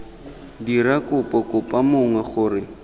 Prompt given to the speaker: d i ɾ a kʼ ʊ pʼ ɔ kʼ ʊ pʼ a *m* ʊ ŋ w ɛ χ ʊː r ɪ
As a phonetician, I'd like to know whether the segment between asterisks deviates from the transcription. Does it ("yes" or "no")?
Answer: no